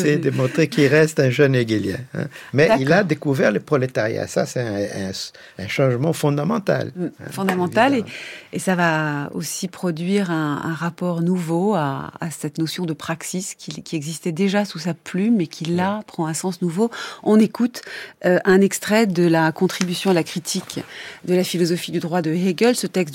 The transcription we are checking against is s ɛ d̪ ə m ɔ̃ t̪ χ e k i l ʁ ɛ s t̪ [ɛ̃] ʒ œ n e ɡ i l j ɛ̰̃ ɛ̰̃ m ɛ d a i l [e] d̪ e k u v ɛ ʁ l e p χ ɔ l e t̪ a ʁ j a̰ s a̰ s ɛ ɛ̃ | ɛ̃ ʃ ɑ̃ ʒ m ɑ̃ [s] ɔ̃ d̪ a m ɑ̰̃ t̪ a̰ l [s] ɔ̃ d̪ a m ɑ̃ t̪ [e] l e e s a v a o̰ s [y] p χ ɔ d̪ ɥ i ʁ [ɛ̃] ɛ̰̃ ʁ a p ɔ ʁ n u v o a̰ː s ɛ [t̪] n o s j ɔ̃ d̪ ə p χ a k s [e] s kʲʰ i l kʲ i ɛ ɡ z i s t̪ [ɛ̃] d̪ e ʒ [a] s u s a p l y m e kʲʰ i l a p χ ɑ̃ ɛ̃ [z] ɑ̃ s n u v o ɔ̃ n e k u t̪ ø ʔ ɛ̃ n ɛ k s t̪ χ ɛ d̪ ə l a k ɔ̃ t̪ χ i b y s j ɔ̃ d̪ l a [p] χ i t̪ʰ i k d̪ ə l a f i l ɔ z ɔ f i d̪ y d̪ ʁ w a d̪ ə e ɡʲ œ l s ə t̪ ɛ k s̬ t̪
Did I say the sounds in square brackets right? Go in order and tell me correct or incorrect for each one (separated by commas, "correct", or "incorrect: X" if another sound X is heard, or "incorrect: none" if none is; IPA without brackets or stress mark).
correct, incorrect: a, incorrect: f, incorrect: f, incorrect: a, incorrect: i, correct, correct, incorrect: i, incorrect: ɛ, correct, incorrect: s, incorrect: k